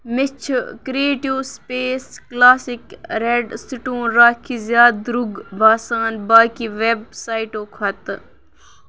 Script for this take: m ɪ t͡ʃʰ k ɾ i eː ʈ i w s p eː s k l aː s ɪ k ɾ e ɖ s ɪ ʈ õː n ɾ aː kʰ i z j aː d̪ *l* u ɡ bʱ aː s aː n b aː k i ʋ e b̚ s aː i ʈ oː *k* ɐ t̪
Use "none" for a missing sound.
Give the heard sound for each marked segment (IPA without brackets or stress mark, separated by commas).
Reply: ɾ, kʰ